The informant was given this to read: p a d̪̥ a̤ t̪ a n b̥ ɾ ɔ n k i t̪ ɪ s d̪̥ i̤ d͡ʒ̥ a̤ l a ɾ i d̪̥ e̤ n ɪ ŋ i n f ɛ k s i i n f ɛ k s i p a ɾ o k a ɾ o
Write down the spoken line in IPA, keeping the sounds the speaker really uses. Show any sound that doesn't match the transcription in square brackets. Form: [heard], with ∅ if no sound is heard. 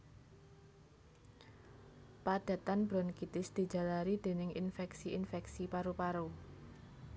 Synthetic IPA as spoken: p a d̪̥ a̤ t̪ a n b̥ ɾ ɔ n k i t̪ ɪ s d̪̥ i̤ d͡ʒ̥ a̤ l a ɾ i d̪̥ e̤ n ɪ ŋ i n f ɛ k s i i n f ɛ k s i p a ɾ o [p] a ɾ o